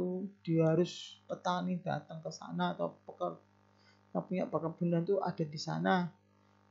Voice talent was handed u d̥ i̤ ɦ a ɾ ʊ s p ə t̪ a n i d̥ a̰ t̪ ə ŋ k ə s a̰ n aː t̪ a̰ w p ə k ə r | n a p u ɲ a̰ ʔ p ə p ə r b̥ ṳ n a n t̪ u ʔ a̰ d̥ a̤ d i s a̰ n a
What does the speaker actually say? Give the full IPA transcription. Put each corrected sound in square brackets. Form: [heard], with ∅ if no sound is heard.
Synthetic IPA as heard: u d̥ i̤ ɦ a ɾ ʊ s p ə t̪ a n i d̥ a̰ t̪ ə ŋ k ə s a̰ n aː t̪ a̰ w p ə k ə r | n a p u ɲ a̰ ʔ p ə [k] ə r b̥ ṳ n a n t̪ u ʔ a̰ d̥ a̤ d i s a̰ n a

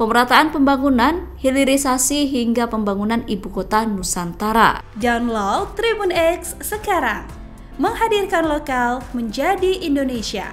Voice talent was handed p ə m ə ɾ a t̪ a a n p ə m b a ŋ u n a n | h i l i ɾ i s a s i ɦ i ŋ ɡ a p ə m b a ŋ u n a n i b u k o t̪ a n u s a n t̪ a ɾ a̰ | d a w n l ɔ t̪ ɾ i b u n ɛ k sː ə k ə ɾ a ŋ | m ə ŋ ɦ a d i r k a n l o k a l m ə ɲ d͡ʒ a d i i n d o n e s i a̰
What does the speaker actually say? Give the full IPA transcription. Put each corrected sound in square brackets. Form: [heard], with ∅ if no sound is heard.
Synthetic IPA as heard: p ə m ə ɾ a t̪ a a n p ə m b a ŋ u n a n | h i l i ɾ i s a s i ɦ i ŋ ɡ a p ə m b a ŋ u n a n i b u k o t̪ a n u s a n t̪ a ɾ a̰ | d a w n l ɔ t̪ ɾ i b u n ɛ k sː ə k [a] ɾ a ŋ | m ə ŋ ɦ a d i r k a n l o k a l m ə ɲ d͡ʒ a d i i n d o n e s i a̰

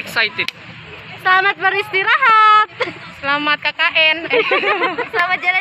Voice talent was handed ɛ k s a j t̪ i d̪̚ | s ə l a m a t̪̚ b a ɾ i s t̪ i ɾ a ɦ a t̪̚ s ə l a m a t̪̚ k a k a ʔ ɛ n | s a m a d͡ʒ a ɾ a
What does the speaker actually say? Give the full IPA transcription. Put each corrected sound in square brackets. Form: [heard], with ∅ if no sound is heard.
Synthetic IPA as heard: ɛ k s a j t̪ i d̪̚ | s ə l a m a t̪̚ b a ɾ i s t̪ i ɾ a ɦ a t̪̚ s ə l a m a t̪̚ k a k a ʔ ɛ n | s a m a d͡ʒ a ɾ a

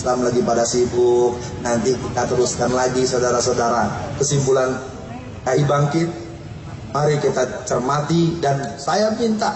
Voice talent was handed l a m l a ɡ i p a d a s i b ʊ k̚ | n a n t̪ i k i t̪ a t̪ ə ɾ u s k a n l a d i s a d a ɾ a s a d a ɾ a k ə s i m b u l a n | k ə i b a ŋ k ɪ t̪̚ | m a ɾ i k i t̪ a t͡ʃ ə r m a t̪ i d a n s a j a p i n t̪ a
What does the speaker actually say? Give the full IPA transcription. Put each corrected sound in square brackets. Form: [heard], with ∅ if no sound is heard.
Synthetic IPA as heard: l a m l a ɡ i p a d a s i b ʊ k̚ | n a n t̪ i k i t̪ a t̪ ə ɾ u s k a n l a [ɡ] i s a d a ɾ a s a d a ɾ a k ə s i m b u l a n | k [a] i b a ŋ k ɪ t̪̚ | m a ɾ i k i t̪ a t͡ʃ ə r m a t̪ i d a n s a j a p i n t̪ a

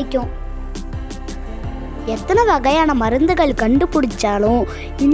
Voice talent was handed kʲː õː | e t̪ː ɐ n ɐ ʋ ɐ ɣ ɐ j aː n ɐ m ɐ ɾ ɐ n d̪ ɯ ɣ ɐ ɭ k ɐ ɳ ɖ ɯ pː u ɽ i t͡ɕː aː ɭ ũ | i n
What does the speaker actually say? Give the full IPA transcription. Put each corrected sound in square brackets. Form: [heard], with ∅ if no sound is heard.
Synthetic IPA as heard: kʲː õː | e t̪ː ɐ n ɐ ʋ ɐ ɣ ɐ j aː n ɐ m ɐ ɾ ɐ n d̪ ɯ ɣ ɐ ɭ k ɐ ɳ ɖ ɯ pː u ɽ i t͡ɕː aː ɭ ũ | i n

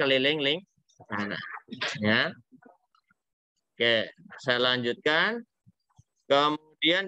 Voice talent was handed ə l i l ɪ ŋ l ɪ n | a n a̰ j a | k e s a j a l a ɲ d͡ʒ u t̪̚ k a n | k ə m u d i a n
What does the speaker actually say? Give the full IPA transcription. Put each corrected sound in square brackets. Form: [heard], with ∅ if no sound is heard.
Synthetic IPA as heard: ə l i l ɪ ŋ l ɪ [ŋ] | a n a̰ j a | k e s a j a l a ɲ d͡ʒ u t̪̚ k a n | k ə m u d i a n

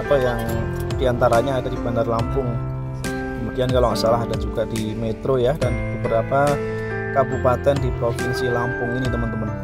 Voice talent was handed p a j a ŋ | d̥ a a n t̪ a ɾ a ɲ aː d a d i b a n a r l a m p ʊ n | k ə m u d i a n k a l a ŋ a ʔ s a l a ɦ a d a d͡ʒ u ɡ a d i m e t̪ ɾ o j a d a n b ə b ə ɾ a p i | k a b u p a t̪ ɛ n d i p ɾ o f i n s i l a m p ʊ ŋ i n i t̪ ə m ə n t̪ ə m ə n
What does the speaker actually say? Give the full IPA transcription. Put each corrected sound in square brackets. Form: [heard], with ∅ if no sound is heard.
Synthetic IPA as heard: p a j a ŋ | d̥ [i] a n t̪ a ɾ a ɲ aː d a d i b a n a r l a m p ʊ [ŋ] | k ə m u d i a n k a l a ŋ a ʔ s a l a ɦ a d a d͡ʒ u ɡ a d i m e t̪ ɾ o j a d a n b ə b ə ɾ a p [a] | k a b u p a t̪ ɛ n d i p ɾ o f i n s i l a m p ʊ ŋ i n i t̪ ə m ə n t̪ ə m ə n

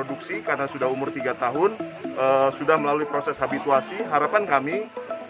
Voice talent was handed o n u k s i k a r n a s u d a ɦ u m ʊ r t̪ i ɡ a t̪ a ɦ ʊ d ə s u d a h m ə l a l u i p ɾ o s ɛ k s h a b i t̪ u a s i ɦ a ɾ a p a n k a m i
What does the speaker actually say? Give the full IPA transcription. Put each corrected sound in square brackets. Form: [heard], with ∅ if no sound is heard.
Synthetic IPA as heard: o [d] u k s i k a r n a s u d a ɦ u m ʊ r t̪ i ɡ a t̪ a ɦ ʊ [n] ə s u d a h m ə l a l u i p ɾ o s ɛ [∅] s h a b i t̪ u a s i ɦ a ɾ a p a n k a m i

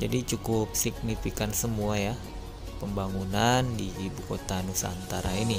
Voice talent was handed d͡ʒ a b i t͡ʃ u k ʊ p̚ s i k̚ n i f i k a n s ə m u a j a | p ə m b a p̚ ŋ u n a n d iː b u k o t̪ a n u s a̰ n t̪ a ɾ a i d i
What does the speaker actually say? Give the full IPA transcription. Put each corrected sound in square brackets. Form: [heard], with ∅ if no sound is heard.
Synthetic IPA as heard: d͡ʒ a [d] i t͡ʃ u k ʊ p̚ s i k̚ n i f i k a n s ə m u a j a | p ə m b a [∅] ŋ u n a n d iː b u k o t̪ a n u s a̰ n t̪ a ɾ a i [n] i

